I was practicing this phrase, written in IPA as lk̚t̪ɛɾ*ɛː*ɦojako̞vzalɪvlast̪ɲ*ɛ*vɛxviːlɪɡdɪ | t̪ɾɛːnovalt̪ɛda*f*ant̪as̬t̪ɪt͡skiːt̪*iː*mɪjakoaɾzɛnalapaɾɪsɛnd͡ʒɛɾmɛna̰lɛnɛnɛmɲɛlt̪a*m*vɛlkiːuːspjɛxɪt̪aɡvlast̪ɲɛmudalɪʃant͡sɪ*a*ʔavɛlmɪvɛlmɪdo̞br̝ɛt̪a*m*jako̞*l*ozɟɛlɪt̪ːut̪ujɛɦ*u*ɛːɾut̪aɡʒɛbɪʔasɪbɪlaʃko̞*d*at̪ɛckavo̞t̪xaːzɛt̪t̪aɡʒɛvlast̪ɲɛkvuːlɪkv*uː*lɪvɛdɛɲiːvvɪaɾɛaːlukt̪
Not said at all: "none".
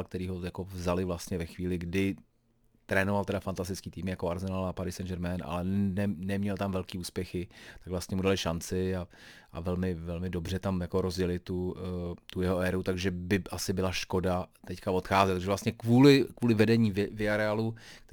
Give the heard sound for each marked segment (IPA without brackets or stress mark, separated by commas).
iː, ɛ, f, iː, m, a, m, ɾ, o, d, uː